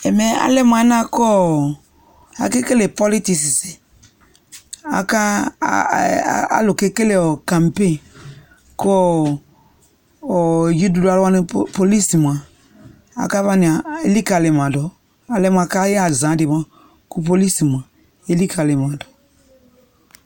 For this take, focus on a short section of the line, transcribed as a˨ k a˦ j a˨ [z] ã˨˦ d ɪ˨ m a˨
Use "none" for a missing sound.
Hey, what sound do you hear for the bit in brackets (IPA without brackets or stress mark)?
z